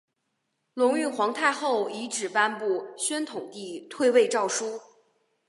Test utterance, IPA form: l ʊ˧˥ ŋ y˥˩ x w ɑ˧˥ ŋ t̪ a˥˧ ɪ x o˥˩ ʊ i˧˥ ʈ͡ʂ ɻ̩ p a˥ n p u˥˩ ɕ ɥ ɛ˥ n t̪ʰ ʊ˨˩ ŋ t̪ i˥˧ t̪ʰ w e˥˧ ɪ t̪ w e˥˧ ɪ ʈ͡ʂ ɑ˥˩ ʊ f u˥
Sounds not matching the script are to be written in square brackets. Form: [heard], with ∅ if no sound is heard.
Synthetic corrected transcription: l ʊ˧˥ ŋ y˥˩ x w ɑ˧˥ ŋ [t̪ʰ] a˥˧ ɪ x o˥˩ ʊ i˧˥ ʈ͡ʂ ɻ̩ p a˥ n p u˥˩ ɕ ɥ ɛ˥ n t̪ʰ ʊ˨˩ ŋ t̪ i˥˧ t̪ʰ w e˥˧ ɪ [∅] w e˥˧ ɪ ʈ͡ʂ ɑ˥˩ ʊ [ʂ] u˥

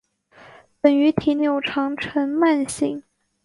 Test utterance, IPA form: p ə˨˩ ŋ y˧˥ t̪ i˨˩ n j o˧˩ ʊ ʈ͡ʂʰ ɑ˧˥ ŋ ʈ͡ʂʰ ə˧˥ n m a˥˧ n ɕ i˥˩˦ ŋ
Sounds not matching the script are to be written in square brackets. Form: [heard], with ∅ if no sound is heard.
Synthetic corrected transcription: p ə˨˩ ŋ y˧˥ [t̪ʰ] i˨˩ n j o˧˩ ʊ ʈ͡ʂʰ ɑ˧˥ ŋ ʈ͡ʂʰ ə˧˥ n m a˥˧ n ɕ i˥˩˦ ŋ

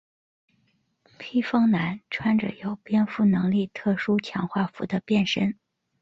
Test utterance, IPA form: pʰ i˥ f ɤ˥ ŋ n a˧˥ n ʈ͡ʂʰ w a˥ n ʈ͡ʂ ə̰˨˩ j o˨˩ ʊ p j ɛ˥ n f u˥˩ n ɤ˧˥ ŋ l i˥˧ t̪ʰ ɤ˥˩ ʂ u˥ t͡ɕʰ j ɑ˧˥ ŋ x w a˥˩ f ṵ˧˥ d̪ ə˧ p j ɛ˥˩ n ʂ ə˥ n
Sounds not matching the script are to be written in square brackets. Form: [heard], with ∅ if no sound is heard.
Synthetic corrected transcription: pʰ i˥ f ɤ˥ ŋ n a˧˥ n ʈ͡ʂʰ w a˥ n ʈ͡ʂ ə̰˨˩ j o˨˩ ʊ p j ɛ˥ n f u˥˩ n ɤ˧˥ ŋ l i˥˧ t̪ʰ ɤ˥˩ ʂ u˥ t͡ɕʰ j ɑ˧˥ ŋ x w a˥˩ f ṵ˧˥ d̪ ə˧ p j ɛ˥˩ n ʂ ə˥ n

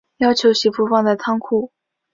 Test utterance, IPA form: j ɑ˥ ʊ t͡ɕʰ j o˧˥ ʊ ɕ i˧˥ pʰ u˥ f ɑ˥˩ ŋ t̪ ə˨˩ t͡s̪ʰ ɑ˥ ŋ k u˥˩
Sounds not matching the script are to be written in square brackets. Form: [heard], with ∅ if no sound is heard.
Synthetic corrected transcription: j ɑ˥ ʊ t͡ɕʰ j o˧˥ ʊ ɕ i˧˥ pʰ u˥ f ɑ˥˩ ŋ [d̪] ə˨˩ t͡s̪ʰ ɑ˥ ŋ [kʰ] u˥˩

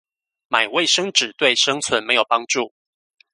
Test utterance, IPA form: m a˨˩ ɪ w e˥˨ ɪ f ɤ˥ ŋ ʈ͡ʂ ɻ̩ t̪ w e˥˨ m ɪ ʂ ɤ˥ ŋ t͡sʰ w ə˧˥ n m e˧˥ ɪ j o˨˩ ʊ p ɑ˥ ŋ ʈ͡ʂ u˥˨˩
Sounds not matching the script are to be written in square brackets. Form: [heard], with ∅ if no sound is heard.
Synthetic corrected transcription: m a˨˩ ɪ w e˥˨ ɪ [ʂ] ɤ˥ ŋ ʈ͡ʂ ɻ̩ t̪ w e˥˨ [∅] ɪ ʂ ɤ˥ ŋ t͡sʰ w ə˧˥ n m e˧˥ ɪ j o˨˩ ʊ p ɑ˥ ŋ ʈ͡ʂ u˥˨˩

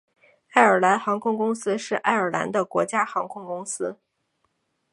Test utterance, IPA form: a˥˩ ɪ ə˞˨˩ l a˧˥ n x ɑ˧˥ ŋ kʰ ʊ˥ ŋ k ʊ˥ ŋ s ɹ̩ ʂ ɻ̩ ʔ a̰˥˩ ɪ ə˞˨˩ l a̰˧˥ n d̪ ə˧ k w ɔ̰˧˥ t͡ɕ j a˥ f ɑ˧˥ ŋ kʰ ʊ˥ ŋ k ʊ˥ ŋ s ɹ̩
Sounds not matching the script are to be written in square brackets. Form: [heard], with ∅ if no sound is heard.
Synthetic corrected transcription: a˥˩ ɪ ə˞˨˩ l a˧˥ n x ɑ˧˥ ŋ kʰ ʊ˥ ŋ k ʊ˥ ŋ s ɹ̩ ʂ ɻ̩ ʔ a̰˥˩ ɪ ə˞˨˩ l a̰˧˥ n d̪ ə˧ k w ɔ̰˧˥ t͡ɕ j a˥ [x] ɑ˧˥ ŋ kʰ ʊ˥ ŋ k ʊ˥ ŋ s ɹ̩

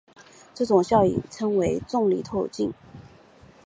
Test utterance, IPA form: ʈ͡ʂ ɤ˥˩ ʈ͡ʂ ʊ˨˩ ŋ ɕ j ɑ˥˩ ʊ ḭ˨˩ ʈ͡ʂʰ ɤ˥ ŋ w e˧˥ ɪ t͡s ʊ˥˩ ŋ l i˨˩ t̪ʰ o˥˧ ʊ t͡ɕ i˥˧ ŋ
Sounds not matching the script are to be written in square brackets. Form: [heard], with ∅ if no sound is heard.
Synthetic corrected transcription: ʈ͡ʂ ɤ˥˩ ʈ͡ʂ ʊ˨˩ ŋ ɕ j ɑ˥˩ ʊ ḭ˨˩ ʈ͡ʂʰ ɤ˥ ŋ w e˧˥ ɪ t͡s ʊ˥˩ ŋ l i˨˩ t̪ʰ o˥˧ ʊ t͡ɕ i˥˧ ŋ

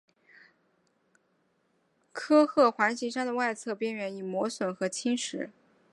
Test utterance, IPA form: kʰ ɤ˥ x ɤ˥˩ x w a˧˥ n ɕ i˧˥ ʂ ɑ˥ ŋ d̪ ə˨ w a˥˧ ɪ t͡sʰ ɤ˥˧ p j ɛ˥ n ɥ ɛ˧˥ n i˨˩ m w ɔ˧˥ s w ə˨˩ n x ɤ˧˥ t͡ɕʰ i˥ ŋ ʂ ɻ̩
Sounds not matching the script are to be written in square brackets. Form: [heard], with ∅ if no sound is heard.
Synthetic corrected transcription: kʰ ɤ˥ x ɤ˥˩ x w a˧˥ n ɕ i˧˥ ʂ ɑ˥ ŋ d̪ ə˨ w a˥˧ ɪ t͡sʰ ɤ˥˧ p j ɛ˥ n ɥ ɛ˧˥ n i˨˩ m w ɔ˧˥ s w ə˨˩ n x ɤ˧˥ t͡ɕʰ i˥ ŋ ʂ ɻ̩

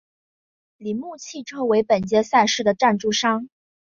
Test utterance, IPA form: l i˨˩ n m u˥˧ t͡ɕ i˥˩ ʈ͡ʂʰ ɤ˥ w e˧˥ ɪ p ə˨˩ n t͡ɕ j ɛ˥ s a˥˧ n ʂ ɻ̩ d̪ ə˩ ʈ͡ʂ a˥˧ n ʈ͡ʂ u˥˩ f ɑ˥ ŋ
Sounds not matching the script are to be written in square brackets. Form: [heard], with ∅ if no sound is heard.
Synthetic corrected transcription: l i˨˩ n m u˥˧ [t͡ɕʰ] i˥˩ ʈ͡ʂʰ ɤ˥ w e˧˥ ɪ p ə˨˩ n t͡ɕ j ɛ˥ s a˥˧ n ʂ ɻ̩ d̪ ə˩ ʈ͡ʂ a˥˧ n ʈ͡ʂ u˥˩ [ʂ] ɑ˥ ŋ

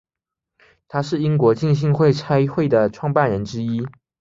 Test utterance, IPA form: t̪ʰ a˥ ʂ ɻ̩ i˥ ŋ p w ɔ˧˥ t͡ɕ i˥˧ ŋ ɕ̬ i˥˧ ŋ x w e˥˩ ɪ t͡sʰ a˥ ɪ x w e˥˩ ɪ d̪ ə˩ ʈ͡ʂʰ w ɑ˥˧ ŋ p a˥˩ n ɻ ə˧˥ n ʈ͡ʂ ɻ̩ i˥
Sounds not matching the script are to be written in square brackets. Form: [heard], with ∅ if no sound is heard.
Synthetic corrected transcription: t̪ʰ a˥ ʂ ɻ̩ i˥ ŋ [k] w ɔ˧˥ t͡ɕ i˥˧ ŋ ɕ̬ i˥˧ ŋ x w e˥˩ ɪ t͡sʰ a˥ ɪ x w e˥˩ ɪ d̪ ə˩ ʈ͡ʂʰ w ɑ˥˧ ŋ p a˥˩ n ɻ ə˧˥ n ʈ͡ʂ ɻ̩ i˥

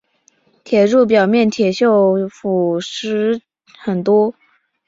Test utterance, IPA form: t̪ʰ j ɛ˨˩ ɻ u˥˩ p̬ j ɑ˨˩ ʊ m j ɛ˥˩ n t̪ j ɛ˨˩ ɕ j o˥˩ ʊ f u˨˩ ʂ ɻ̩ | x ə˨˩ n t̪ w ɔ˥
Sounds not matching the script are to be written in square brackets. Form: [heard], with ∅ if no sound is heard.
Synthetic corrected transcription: t̪ʰ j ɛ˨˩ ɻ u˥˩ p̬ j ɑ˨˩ ʊ m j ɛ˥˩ n [t̪ʰ] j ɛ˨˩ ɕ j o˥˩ ʊ f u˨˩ ʂ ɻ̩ | x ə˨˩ n t̪ w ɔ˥

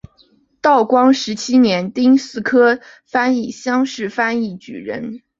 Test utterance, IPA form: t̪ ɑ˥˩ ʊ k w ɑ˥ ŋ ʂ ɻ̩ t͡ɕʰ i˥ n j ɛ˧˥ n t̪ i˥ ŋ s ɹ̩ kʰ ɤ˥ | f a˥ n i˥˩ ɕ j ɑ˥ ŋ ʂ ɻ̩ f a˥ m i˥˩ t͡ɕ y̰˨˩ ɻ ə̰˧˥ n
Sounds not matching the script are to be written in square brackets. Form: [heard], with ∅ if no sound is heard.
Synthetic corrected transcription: t̪ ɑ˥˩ ʊ k w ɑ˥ ŋ ʂ ɻ̩ t͡ɕʰ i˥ n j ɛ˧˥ n t̪ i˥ ŋ s ɹ̩ kʰ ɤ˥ | f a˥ n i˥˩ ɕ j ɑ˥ ŋ ʂ ɻ̩ f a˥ [n] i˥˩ t͡ɕ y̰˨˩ ɻ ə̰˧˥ n

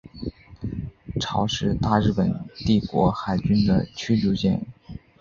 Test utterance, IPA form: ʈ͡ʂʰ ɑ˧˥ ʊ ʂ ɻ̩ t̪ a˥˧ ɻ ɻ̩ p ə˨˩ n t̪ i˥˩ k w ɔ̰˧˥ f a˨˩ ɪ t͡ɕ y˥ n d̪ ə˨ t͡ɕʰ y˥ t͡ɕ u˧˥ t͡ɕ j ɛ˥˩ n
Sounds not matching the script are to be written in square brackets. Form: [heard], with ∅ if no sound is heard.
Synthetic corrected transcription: ʈ͡ʂʰ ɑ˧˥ ʊ ʂ ɻ̩ t̪ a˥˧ ɻ ɻ̩ p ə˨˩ n t̪ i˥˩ k w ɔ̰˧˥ [x] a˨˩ ɪ t͡ɕ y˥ n d̪ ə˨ t͡ɕʰ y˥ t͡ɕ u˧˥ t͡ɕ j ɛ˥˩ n

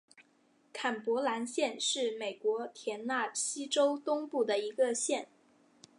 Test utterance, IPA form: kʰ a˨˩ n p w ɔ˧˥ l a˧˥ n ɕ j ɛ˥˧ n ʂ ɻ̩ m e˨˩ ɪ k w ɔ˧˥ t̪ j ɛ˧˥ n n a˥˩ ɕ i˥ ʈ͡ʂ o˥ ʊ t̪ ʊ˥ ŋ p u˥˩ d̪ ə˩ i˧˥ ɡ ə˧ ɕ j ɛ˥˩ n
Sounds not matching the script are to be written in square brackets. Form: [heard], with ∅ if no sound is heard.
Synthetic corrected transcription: kʰ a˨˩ n p w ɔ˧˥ l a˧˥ n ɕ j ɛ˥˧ n ʂ ɻ̩ m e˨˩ ɪ k w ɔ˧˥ [t̪ʰ] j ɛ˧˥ n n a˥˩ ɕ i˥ ʈ͡ʂ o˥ ʊ t̪ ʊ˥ ŋ p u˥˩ d̪ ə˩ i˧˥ ɡ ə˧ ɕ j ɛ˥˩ n

